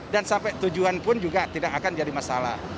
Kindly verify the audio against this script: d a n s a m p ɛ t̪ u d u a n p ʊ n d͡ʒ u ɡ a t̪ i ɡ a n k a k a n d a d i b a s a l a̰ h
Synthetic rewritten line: d a n s a m p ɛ t̪ u d͡ʒ u a n p ʊ n d͡ʒ u ɡ a t̪ i d a k a k a n d͡ʒ a d i m a s a l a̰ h